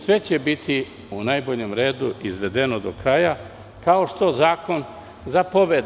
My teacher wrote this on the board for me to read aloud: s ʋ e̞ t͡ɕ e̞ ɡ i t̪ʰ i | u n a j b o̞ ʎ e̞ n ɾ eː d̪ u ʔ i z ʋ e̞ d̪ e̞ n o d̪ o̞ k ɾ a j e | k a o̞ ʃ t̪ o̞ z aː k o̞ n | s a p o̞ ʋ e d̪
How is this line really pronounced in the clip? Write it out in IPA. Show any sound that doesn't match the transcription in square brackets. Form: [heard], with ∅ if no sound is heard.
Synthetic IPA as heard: s ʋ e̞ t͡ɕ e̞ [b] i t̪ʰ i | u n a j b o̞ ʎ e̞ [m] ɾ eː d̪ u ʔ i z ʋ e̞ d̪ e̞ n o d̪ o̞ k ɾ a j [a] | k a o̞ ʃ t̪ o̞ z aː k o̞ n | [z] a p o̞ ʋ e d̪